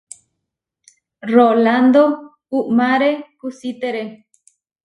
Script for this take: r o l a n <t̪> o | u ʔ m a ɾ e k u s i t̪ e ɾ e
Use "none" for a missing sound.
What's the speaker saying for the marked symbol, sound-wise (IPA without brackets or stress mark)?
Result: d̪